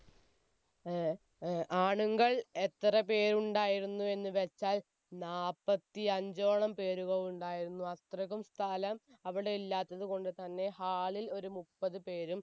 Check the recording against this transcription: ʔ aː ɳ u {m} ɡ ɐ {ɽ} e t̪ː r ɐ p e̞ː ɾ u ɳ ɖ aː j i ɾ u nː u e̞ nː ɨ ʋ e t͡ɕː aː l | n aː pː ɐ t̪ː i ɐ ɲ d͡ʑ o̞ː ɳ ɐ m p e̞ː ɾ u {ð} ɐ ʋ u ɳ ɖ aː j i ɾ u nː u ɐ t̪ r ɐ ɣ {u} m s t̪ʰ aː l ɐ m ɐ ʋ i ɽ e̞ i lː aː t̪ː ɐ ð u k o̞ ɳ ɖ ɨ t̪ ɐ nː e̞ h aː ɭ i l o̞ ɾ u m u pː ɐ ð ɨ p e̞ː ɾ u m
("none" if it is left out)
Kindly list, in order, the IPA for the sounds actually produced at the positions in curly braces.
ŋ, ɭ, ɣ, u

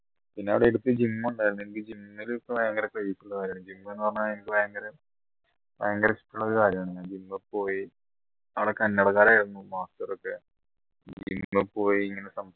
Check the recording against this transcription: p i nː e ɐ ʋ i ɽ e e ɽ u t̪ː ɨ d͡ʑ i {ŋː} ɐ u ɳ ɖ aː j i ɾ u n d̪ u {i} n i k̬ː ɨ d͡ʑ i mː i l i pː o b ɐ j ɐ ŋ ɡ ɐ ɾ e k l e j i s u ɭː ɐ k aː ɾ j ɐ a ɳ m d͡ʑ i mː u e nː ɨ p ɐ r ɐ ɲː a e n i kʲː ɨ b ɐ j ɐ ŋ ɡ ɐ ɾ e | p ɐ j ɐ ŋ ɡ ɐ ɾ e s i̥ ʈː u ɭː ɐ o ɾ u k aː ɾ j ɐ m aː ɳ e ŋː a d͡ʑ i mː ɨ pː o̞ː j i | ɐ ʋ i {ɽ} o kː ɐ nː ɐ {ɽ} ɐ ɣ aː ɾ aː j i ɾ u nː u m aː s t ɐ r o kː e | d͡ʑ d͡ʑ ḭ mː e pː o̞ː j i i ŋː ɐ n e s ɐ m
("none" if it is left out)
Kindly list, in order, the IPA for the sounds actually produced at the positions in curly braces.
mː, e, ɽ, ɽ

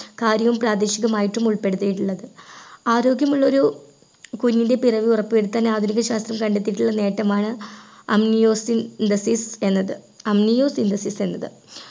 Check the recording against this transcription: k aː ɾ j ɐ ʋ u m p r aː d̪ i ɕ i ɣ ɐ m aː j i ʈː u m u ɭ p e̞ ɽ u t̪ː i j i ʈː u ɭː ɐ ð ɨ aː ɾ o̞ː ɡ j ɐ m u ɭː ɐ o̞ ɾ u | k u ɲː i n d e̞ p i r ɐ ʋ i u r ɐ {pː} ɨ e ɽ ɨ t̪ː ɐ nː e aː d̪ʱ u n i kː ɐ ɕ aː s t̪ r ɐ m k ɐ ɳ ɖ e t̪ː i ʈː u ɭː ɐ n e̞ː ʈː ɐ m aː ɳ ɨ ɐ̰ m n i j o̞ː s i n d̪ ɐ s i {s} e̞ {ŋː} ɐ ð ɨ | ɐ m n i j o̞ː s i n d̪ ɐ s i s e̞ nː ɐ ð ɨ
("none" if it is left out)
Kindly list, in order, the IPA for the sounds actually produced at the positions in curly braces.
pː, s, nː

